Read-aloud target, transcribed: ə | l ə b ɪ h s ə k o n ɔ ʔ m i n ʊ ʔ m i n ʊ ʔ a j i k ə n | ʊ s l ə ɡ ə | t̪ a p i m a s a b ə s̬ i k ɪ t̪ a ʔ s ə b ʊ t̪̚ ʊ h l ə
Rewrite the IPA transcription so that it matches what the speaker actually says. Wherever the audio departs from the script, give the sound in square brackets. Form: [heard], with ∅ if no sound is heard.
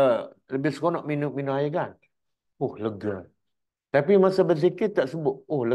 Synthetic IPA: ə | l ə b ɪ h s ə k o n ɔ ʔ m i n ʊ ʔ m i n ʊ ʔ a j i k [a] n | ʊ [h] l ə ɡ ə | t̪ a p i m a s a b ə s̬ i k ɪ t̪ a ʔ s ə b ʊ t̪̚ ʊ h l ə